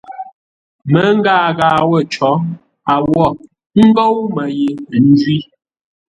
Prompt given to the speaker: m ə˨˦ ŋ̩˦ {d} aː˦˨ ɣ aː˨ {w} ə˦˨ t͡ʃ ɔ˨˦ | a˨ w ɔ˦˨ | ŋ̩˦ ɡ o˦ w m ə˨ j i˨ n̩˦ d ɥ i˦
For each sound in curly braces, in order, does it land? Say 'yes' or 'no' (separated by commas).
no, yes